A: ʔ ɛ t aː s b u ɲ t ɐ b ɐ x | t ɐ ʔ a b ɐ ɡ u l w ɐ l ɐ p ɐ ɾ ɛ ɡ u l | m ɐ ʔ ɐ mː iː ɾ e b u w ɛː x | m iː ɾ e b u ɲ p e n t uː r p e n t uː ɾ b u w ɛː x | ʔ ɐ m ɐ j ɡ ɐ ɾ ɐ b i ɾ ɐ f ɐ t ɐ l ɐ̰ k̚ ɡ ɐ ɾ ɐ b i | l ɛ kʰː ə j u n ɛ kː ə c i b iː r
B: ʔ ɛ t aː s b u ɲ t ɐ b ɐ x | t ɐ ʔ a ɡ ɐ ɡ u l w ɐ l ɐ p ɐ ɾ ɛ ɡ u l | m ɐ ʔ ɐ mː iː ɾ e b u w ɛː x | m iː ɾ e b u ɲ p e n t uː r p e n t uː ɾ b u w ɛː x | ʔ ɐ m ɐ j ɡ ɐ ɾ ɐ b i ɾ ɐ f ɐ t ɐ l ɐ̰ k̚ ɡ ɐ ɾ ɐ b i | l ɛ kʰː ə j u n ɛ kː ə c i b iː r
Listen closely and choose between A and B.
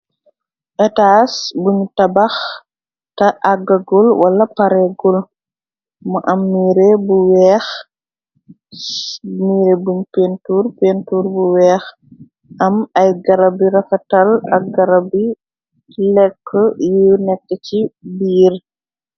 B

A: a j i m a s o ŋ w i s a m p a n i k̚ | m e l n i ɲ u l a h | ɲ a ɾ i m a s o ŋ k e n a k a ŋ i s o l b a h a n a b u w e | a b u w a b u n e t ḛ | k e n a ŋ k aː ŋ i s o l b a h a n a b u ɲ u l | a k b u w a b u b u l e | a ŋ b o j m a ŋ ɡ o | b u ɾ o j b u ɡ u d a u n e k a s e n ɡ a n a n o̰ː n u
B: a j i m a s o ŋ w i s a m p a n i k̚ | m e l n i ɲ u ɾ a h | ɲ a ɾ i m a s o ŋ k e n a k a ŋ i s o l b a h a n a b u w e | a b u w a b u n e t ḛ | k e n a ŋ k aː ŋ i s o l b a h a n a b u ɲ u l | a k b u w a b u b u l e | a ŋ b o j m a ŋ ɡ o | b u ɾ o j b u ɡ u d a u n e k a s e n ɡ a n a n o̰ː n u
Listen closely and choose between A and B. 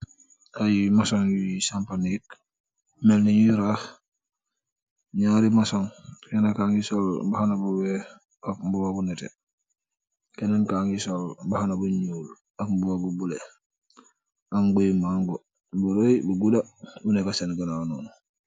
B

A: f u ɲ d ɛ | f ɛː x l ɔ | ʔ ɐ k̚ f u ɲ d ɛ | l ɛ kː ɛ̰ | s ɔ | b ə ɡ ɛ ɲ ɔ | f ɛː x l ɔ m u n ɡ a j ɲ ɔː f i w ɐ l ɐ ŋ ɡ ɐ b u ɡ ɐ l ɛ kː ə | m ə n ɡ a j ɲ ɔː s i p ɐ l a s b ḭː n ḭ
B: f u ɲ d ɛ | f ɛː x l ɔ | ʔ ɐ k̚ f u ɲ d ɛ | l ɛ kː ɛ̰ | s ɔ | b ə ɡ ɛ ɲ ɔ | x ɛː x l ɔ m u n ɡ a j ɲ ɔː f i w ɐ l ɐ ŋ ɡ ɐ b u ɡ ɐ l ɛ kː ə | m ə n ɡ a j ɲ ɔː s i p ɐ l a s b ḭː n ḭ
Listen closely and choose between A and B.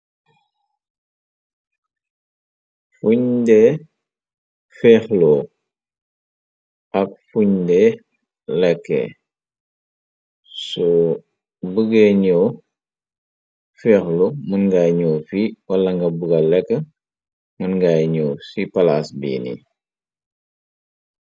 A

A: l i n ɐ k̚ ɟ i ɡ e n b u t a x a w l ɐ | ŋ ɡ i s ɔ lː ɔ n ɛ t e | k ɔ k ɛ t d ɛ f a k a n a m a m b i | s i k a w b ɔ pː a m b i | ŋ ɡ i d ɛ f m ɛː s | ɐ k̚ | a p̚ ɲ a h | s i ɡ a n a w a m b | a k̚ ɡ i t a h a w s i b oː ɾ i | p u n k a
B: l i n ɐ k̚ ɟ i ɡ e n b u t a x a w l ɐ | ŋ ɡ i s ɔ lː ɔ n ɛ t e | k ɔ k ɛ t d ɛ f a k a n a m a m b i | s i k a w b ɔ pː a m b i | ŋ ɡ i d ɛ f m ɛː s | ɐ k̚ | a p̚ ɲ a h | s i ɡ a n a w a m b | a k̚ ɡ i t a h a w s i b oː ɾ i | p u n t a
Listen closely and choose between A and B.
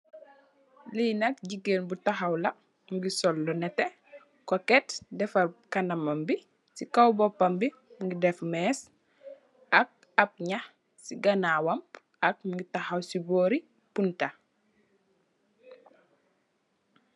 B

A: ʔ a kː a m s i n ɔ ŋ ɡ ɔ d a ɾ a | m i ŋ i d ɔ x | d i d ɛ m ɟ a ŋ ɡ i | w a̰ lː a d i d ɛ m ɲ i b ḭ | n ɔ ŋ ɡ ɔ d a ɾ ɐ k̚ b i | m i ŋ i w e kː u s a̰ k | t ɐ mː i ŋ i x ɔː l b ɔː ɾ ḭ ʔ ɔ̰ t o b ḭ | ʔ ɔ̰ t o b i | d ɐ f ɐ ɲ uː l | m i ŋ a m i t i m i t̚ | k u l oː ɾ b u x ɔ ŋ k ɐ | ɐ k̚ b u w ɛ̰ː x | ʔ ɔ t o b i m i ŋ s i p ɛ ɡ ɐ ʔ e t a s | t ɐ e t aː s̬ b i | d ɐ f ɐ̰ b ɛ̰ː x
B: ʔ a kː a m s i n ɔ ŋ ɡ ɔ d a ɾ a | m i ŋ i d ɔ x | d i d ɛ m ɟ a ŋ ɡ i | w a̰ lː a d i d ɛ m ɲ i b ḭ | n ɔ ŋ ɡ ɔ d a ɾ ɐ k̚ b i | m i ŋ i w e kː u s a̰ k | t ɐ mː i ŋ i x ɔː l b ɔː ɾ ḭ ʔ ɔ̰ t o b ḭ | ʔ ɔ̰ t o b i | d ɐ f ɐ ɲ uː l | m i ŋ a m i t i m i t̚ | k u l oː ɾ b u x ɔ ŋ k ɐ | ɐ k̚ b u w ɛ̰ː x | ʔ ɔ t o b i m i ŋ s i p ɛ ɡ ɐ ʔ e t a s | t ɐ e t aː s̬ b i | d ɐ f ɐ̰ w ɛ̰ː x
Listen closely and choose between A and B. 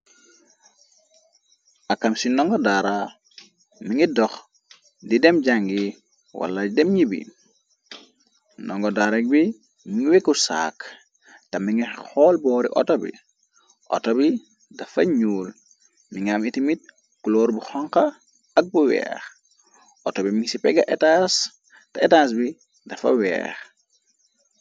B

